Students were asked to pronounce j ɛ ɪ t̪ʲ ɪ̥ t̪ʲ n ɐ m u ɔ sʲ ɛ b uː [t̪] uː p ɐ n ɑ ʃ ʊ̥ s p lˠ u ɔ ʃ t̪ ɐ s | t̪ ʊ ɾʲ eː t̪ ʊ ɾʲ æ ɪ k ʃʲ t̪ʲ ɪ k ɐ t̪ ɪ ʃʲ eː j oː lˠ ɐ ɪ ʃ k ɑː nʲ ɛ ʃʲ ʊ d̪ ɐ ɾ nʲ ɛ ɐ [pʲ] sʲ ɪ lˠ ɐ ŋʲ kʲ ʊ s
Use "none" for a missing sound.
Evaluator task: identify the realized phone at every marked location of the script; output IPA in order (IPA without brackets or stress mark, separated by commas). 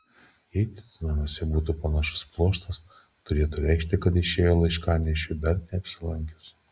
t̪, pʲ